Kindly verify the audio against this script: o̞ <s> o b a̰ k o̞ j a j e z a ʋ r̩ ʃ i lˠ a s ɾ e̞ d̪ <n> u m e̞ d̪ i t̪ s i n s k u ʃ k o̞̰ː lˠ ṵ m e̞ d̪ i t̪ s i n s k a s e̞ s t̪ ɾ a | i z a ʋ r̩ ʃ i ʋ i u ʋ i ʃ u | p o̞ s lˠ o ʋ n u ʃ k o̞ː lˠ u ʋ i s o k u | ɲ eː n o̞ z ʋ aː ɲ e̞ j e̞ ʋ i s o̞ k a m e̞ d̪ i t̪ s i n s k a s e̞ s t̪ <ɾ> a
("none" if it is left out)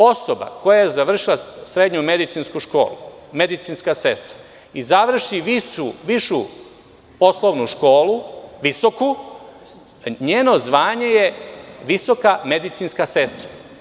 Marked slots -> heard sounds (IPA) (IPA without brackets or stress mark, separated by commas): s, ɲ, ɾ